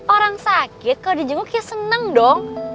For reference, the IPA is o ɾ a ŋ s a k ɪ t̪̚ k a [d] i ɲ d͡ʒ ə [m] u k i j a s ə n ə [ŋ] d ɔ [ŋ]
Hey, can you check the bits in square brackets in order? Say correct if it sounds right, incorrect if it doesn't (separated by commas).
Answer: correct, incorrect, correct, correct